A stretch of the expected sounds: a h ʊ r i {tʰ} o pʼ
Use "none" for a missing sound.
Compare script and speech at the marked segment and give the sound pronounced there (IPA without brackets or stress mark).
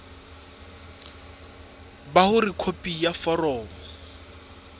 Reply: kʰ